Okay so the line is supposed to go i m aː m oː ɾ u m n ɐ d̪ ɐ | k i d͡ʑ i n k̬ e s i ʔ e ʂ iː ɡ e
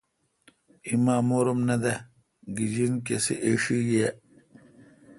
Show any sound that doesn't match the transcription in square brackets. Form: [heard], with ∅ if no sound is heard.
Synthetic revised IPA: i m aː m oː ɾ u m n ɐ d̪ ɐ | [ɡ] i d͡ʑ i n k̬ e s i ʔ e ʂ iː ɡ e